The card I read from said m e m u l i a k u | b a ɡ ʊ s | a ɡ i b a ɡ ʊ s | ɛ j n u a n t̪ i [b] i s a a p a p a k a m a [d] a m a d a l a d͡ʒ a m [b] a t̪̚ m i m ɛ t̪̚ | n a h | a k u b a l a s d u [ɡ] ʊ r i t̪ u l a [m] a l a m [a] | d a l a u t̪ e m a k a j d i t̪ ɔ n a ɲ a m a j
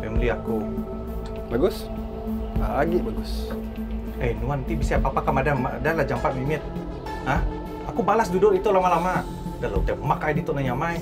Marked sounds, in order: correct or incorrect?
correct, correct, incorrect: p, incorrect: d, correct, correct

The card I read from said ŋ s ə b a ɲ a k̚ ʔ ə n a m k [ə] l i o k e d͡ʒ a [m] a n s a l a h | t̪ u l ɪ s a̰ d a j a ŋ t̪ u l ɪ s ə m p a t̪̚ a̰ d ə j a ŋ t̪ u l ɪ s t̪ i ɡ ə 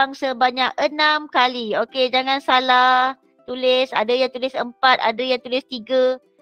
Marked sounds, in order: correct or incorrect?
incorrect: a, incorrect: ŋ

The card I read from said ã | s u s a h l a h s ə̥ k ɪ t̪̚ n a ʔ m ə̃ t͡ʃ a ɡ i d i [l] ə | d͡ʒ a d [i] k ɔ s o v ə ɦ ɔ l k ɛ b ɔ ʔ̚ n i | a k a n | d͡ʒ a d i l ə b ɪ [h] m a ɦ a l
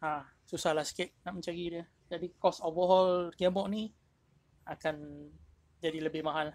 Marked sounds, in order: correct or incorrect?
incorrect: none, correct, correct

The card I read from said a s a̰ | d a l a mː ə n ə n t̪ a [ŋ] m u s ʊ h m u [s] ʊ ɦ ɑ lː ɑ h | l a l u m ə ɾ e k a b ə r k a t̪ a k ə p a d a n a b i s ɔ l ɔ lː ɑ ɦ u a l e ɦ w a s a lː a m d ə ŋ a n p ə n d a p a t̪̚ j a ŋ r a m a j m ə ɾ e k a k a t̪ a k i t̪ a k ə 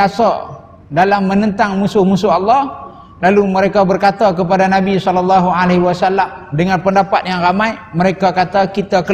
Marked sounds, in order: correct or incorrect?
correct, correct

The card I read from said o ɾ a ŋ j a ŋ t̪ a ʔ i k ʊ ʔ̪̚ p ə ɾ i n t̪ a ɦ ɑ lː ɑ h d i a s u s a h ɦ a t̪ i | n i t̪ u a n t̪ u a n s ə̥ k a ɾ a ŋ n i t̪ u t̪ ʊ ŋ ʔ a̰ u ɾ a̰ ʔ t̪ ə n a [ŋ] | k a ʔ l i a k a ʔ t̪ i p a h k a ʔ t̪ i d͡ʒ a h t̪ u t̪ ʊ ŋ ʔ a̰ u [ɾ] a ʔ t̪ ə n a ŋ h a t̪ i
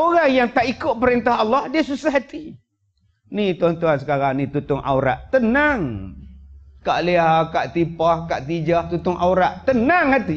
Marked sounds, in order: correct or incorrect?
correct, correct

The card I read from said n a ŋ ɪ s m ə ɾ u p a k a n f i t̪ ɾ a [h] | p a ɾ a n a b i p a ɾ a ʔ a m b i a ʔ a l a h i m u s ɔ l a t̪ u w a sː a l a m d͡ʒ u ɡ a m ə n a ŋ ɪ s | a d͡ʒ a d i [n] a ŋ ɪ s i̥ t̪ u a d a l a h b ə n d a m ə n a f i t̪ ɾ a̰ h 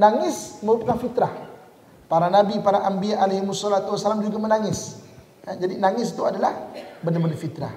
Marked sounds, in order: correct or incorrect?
correct, correct

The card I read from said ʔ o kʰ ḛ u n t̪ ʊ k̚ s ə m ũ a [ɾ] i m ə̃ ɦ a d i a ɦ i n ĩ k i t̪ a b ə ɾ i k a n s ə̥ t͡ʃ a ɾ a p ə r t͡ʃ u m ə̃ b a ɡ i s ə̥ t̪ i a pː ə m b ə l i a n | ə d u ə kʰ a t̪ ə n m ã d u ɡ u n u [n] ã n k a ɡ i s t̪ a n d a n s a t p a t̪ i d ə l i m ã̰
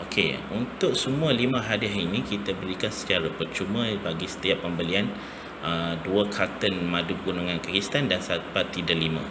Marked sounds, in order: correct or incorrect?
incorrect: l, incorrect: ŋ

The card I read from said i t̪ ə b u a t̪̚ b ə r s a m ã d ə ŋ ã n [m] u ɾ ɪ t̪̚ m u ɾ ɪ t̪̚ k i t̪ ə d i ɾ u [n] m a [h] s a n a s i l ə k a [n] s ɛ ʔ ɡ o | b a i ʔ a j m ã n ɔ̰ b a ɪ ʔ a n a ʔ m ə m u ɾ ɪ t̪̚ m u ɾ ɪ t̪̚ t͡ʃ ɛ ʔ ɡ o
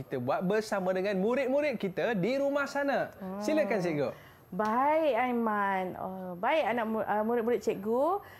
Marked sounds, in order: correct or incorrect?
correct, incorrect: none, correct, correct

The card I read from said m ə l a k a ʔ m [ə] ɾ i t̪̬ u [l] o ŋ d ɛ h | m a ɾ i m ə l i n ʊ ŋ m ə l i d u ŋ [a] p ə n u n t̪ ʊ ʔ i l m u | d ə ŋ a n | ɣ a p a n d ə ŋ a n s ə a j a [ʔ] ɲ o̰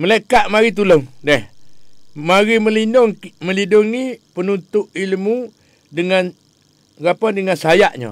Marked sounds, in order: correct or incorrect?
incorrect: a, correct, incorrect: i, correct

